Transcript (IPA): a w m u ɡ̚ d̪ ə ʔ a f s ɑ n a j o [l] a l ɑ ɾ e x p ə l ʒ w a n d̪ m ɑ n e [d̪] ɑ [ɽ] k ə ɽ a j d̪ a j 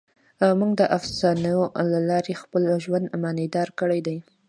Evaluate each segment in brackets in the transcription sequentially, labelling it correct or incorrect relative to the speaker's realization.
correct, correct, incorrect

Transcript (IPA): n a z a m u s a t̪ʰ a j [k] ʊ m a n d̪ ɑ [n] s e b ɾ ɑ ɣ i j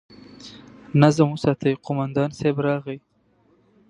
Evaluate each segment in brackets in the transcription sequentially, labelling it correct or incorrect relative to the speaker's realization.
incorrect, correct

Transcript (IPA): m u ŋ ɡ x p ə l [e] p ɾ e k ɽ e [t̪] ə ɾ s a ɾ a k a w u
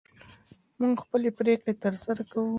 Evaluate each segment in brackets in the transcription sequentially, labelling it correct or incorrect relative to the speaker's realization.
correct, correct

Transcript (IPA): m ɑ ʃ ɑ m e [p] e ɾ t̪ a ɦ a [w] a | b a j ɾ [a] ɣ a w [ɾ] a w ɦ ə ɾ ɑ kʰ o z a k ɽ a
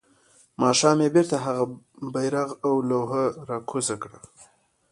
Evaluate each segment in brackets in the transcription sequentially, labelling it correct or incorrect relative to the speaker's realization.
incorrect, incorrect, correct, incorrect

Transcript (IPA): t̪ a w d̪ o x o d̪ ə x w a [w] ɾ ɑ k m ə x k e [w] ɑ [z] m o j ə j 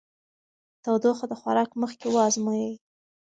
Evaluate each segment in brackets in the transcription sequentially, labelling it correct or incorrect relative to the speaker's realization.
incorrect, correct, correct

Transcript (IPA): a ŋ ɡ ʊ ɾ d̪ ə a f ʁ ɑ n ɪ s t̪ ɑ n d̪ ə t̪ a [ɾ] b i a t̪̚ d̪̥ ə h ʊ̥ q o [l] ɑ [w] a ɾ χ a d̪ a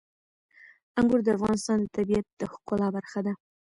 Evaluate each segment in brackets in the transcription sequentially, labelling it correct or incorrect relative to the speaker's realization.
incorrect, correct, incorrect

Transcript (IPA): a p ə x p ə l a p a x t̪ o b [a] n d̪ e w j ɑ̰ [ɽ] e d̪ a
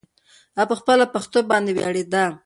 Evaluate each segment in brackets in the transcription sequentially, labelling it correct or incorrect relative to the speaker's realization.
incorrect, correct

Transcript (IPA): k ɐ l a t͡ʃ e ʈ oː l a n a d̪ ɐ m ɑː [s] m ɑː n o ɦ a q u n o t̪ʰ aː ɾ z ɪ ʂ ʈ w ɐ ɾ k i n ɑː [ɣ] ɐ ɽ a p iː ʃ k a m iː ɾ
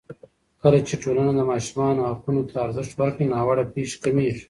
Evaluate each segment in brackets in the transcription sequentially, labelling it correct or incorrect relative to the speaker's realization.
incorrect, incorrect

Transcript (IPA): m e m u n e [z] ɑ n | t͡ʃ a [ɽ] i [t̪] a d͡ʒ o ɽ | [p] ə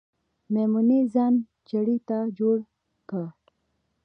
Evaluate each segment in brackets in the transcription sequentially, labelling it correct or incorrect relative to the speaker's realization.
correct, correct, correct, incorrect

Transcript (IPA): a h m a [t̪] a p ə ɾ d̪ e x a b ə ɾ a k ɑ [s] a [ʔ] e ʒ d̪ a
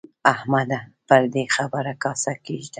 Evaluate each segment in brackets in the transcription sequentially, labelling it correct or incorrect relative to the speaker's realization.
incorrect, correct, incorrect

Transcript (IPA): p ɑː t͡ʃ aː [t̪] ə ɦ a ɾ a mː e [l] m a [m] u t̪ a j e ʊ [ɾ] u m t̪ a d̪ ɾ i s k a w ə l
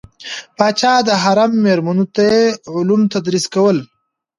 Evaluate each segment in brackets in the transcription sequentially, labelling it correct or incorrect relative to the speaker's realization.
incorrect, incorrect, incorrect, incorrect

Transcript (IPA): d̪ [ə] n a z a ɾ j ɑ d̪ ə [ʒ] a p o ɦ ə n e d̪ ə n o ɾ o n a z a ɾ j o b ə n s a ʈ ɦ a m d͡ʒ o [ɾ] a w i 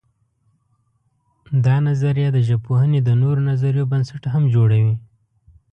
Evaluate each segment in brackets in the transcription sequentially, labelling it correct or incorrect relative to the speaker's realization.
incorrect, correct, incorrect

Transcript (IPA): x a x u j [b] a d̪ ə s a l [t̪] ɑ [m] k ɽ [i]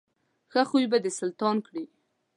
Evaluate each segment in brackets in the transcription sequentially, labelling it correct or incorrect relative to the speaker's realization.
correct, correct, incorrect, correct

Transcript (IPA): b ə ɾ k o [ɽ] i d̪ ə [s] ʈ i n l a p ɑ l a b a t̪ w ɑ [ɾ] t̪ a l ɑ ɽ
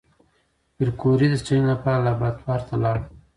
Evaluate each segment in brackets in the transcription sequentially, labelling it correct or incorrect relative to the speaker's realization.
incorrect, correct, correct

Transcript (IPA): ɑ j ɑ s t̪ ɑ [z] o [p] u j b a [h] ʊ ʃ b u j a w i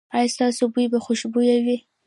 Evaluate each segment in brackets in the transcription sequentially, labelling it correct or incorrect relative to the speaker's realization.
incorrect, incorrect, incorrect

